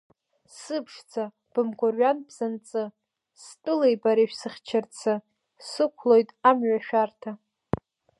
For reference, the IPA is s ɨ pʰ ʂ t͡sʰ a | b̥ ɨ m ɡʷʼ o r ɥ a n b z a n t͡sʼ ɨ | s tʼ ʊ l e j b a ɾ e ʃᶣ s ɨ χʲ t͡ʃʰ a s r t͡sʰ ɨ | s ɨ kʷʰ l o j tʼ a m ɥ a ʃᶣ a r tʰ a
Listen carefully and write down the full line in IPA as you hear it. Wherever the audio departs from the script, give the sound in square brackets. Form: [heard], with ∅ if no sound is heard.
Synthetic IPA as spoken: s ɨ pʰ ʂ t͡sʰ a | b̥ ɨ m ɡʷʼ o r ɥ a n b z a n t͡sʼ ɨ | s tʼ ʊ l e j b a ɾ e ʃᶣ s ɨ χʲ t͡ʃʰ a [∅] r t͡sʰ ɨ | s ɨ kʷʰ l o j tʼ a m ɥ a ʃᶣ a r tʰ a